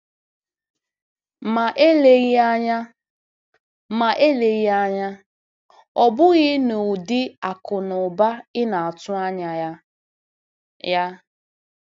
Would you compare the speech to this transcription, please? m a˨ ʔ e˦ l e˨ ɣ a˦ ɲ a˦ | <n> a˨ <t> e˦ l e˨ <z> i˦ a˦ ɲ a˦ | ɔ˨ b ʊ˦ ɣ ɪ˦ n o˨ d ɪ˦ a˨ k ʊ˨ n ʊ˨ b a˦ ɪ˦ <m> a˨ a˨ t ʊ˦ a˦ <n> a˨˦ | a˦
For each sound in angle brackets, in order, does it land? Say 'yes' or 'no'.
no, no, no, no, no

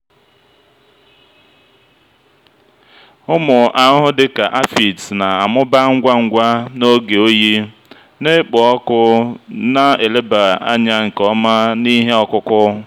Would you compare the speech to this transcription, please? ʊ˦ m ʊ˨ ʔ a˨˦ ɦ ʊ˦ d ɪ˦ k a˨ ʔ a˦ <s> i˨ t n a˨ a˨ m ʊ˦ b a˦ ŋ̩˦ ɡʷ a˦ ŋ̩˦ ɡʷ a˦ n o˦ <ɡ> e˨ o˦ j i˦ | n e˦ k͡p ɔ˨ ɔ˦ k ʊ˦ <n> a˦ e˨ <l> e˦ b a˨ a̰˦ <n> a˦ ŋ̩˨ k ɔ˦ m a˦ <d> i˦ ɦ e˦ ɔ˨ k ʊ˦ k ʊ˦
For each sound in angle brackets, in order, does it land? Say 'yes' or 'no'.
no, yes, yes, yes, no, no

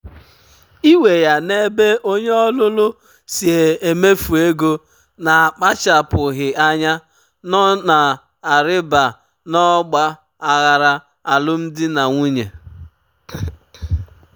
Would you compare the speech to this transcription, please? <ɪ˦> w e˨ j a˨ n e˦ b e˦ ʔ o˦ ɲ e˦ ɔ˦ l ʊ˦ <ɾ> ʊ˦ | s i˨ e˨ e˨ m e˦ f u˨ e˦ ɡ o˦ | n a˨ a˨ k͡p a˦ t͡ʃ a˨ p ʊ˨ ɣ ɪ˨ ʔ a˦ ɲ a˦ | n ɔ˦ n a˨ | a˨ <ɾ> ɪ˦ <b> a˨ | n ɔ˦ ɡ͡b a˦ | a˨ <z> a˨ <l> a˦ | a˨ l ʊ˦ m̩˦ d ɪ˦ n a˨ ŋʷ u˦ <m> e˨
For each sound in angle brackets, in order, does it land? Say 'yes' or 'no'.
no, no, yes, yes, no, no, no

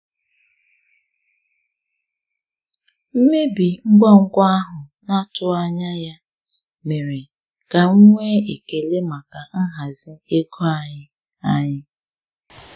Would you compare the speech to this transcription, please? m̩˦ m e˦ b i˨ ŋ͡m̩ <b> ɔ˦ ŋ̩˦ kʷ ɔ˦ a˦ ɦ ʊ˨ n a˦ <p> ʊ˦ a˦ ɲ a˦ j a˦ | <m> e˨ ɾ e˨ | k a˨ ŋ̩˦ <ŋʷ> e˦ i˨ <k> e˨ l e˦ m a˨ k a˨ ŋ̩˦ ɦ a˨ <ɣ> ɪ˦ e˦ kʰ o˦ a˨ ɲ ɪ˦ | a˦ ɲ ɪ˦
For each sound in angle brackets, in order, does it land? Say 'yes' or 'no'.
no, no, yes, yes, yes, no

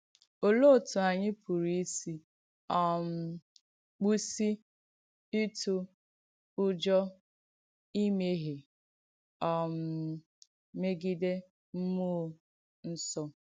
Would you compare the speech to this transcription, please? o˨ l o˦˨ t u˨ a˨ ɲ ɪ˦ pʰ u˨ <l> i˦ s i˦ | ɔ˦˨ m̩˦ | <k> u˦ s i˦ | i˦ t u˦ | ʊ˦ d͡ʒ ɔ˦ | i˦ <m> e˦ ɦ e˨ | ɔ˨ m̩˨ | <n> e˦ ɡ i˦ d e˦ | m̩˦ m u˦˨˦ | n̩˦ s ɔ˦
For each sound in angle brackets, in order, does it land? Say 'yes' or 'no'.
no, no, yes, no

